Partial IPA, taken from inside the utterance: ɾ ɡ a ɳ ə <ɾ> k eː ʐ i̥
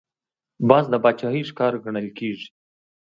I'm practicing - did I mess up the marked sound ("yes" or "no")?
yes